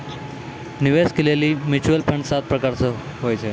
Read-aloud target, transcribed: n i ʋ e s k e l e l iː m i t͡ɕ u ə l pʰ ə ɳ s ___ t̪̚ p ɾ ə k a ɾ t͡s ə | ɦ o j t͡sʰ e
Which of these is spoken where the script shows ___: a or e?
a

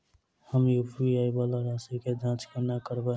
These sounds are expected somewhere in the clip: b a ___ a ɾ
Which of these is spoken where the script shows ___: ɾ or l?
l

